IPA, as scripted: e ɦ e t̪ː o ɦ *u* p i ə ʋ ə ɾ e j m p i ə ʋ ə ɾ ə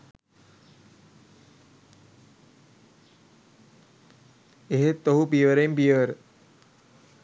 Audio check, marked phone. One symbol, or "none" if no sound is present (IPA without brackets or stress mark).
u